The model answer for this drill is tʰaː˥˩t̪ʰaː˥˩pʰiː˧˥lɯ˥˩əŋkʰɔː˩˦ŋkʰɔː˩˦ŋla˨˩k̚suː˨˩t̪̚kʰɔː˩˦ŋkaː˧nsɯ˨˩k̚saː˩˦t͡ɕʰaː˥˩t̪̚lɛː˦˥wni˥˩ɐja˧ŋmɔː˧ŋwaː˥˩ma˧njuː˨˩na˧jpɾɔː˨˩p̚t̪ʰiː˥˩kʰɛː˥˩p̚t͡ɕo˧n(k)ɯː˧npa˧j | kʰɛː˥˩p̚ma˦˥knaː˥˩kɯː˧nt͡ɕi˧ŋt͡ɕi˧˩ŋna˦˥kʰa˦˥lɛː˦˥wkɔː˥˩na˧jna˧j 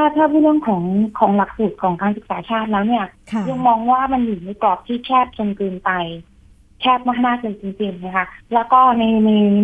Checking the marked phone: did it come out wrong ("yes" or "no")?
no